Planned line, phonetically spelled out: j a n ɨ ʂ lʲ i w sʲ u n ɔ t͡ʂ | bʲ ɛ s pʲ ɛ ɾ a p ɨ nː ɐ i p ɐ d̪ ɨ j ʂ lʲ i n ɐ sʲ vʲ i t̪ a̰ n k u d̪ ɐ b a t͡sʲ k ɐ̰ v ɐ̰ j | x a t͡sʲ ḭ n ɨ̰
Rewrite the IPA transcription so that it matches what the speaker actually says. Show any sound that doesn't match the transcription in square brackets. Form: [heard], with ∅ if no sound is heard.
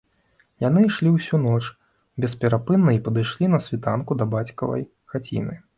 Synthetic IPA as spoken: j a n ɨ ʂ lʲ i w sʲ u n ɔ t͡ʂ | bʲ ɛ s pʲ ɛ ɾ a p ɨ nː ɐ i p ɐ d̪ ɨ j ʂ lʲ i n ɐ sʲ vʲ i t̪ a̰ n k u d̪ ɐ b a t͡sʲ k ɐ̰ v ɐ̰ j | x a t͡sʲ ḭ n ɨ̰

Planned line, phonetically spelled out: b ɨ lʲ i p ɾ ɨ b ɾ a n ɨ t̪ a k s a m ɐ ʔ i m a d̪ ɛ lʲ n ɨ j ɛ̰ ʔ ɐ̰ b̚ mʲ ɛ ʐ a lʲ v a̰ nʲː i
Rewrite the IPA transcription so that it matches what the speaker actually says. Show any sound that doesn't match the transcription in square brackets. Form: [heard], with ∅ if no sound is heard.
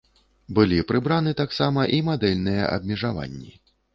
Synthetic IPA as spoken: b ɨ lʲ i p ɾ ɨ b ɾ a n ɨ t̪ a k s a m ɐ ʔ i m a d̪ ɛ lʲ n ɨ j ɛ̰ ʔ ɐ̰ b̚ mʲ ɛ ʐ a [∅] v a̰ nʲː i

